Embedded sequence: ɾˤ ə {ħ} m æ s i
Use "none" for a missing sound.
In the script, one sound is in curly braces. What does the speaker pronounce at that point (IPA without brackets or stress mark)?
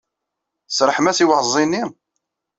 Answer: ħ